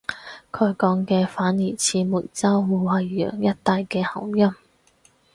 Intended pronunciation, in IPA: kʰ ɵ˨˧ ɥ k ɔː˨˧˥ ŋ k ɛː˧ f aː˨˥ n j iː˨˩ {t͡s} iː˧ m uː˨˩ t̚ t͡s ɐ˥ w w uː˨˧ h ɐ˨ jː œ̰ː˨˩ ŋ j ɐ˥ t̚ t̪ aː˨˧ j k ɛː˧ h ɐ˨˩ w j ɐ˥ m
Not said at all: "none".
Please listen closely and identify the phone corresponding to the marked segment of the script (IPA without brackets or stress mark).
t͡sʰ